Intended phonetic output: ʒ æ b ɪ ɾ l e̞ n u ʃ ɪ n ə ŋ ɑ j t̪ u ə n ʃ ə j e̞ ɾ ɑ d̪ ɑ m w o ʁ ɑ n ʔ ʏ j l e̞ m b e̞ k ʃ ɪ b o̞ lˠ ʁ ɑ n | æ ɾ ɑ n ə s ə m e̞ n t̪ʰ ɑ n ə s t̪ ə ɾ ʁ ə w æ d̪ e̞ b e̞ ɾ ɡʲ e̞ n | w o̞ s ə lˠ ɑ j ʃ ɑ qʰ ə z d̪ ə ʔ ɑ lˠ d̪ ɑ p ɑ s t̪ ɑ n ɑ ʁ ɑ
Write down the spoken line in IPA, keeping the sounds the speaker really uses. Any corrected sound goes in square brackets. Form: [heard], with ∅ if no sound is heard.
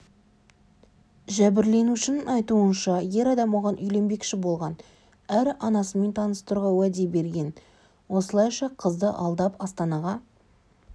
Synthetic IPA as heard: ʒ æ b ɪ ɾ l e̞ n u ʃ ɪ n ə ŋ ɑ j t̪ u ə n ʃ [ɑ] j e̞ ɾ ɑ d̪ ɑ m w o ʁ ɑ n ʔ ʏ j l e̞ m b e̞ k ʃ ɪ b o̞ lˠ ʁ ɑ n | æ ɾ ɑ n [ɑ] s ə m e̞ n t̪ʰ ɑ n ə s t̪ ə ɾ ʁ [ɑ] w æ d̪ e̞ b e̞ ɾ ɡʲ e̞ n | w o̞ s ə lˠ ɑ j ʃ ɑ qʰ ə z d̪ ə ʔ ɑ lˠ d̪ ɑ p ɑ s t̪ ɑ n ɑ ʁ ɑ